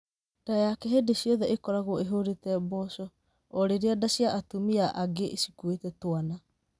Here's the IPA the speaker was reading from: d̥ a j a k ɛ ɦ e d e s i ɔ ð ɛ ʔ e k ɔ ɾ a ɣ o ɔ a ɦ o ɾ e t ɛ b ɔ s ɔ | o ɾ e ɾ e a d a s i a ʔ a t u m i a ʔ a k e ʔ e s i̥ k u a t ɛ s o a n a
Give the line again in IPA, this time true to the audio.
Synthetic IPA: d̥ a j a k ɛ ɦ e d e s i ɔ ð ɛ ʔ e k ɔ ɾ a ɣ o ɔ e ɦ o ɾ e t ɛ b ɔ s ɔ | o ɾ e ɾ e a d a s i a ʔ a t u m i a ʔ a ɡ e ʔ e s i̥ k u e t ɛ t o a n a